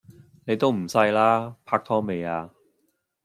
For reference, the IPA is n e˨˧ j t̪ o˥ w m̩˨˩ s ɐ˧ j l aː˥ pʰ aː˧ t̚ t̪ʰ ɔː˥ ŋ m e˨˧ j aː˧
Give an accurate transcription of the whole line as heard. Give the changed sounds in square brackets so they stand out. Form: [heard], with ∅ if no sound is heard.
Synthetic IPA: n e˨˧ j t̪ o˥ w m̩˨˩ s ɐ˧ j l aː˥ pʰ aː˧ [k̚] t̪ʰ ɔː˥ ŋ m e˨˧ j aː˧